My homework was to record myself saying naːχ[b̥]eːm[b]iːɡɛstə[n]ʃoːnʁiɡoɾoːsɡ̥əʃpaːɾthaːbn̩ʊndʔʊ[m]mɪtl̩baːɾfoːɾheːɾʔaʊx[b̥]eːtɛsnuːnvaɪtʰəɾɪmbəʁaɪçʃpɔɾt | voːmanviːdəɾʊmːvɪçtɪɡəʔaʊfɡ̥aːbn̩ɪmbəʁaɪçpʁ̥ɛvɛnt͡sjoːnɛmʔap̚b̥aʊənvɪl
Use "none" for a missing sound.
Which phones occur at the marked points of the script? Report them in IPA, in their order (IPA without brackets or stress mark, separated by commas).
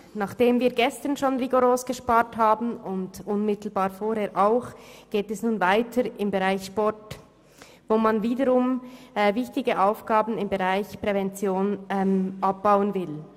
d̥, v, n, n, ɡ̥